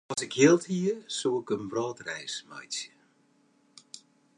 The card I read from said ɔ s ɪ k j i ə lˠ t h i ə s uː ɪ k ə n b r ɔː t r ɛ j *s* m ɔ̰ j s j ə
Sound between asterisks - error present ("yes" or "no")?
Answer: no